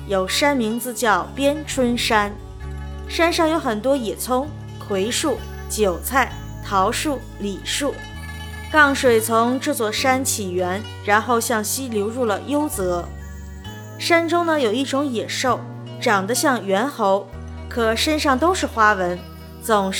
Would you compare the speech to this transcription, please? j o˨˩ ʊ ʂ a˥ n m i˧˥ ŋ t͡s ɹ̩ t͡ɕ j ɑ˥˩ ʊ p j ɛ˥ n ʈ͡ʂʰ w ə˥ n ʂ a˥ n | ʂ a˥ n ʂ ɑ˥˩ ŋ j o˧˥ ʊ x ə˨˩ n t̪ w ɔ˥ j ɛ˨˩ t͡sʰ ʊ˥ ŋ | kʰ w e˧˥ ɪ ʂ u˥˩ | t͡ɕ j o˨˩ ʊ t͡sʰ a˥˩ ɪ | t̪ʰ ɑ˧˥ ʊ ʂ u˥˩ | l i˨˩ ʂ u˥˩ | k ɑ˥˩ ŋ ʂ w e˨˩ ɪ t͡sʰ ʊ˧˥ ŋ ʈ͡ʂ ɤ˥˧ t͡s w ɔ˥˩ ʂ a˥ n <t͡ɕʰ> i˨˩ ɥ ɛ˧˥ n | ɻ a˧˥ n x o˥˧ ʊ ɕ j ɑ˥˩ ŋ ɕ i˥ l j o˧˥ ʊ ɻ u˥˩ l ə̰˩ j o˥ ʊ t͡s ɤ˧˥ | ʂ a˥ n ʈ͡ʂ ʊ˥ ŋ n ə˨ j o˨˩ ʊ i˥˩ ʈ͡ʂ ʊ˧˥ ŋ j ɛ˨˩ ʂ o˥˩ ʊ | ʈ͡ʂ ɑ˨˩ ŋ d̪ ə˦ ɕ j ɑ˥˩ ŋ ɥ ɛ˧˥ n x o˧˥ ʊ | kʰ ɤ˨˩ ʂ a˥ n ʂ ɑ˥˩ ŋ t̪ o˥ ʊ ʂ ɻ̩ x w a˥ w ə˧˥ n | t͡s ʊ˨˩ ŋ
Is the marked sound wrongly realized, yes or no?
no